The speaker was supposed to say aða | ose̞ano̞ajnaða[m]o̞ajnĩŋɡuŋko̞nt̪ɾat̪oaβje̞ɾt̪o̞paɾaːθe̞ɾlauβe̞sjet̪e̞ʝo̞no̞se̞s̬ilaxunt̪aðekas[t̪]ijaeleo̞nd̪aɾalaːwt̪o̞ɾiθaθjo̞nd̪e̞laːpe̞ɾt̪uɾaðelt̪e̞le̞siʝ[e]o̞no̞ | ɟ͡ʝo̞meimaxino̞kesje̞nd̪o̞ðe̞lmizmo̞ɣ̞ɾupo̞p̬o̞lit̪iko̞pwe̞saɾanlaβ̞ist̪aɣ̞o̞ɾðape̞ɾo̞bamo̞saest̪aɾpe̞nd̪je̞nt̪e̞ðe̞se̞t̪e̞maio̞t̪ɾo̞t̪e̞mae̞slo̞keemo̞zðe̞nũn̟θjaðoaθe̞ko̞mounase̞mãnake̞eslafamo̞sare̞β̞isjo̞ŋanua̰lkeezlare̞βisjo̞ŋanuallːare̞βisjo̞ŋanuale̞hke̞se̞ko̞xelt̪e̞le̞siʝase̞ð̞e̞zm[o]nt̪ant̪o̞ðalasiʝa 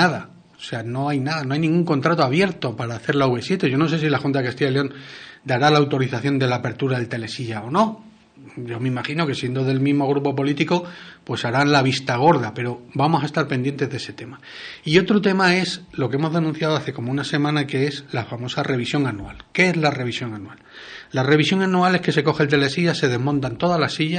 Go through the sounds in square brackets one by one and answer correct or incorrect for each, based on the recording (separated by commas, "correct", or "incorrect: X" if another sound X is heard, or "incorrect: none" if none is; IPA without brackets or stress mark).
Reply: incorrect: n, correct, incorrect: a, incorrect: õ